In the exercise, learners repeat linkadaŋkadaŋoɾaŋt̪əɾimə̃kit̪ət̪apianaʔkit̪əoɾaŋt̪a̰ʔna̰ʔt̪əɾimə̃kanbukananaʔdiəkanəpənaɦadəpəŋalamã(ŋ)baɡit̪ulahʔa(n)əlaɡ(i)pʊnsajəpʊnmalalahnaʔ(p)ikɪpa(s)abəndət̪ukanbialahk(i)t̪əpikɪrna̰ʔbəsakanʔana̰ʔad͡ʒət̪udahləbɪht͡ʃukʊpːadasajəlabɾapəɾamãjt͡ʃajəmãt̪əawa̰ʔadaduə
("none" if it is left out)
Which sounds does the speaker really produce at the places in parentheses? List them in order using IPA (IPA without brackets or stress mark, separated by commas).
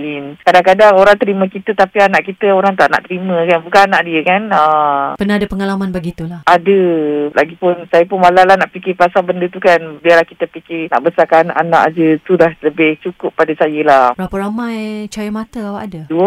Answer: n, d, i, p, s, i